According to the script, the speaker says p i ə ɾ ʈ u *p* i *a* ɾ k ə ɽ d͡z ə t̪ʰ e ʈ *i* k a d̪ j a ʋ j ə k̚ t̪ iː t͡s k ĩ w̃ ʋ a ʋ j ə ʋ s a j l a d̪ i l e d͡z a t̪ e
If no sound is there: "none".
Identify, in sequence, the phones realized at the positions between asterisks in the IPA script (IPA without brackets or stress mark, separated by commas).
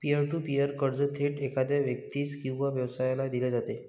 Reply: p, ə, e